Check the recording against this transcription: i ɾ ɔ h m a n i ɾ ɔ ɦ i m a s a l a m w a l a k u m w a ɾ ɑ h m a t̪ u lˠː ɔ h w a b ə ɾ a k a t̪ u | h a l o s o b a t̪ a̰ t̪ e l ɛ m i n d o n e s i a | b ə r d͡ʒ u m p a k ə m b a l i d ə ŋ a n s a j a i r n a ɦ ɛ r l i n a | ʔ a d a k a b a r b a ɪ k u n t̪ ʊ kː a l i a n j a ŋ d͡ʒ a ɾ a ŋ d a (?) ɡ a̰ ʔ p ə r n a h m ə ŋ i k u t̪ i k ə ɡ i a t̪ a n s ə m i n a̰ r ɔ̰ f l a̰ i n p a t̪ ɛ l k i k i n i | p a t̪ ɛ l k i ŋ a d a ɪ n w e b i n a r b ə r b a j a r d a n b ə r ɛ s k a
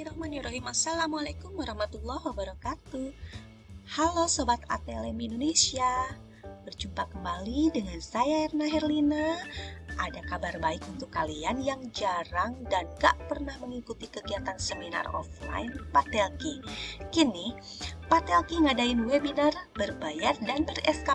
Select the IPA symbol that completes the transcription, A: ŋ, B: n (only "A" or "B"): B